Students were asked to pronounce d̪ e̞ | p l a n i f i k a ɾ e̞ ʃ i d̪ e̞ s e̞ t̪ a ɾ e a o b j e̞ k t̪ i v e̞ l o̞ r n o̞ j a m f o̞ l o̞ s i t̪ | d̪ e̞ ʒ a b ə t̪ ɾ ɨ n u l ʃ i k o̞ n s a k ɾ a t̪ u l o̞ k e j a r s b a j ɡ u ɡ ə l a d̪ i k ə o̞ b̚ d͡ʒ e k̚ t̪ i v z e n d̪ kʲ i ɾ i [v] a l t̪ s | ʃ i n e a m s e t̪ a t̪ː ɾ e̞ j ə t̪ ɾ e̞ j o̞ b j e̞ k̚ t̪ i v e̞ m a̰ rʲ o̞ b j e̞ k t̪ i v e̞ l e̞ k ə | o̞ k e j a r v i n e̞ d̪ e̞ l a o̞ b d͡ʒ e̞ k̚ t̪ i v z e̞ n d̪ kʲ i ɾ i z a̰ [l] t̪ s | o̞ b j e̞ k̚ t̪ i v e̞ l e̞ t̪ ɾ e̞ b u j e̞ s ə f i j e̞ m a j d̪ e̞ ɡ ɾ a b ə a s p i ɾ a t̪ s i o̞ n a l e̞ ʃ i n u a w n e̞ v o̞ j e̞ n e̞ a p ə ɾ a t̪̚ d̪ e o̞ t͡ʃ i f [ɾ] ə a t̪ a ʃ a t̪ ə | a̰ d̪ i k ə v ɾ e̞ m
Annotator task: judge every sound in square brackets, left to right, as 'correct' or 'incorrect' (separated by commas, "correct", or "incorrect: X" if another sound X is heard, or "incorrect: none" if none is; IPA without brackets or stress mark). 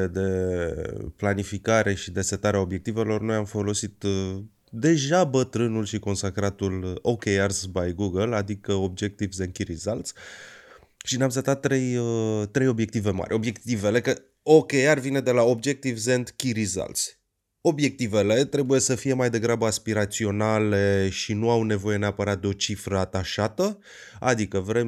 incorrect: z, correct, correct